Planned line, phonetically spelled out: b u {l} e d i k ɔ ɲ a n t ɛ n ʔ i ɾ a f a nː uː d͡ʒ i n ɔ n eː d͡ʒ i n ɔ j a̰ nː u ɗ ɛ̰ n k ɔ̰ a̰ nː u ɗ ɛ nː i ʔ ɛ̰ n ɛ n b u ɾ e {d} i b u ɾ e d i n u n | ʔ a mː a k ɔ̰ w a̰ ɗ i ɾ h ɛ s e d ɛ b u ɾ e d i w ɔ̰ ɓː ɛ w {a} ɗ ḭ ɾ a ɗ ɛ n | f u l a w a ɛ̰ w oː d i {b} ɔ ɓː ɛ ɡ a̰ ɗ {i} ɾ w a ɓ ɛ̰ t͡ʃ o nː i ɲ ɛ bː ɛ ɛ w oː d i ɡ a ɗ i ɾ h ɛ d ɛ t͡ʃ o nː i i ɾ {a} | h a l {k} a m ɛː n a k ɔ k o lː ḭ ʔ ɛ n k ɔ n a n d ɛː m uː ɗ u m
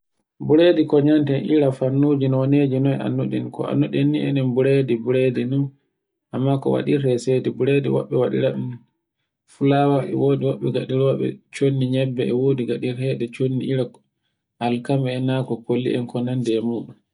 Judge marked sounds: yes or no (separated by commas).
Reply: no, yes, yes, no, yes, yes, yes